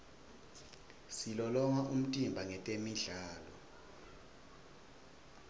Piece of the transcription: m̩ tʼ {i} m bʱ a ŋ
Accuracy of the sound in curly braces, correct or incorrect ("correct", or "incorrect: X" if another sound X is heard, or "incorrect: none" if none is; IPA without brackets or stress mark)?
correct